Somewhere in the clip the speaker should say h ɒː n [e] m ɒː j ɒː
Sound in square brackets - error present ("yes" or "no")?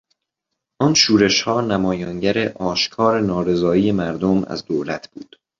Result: yes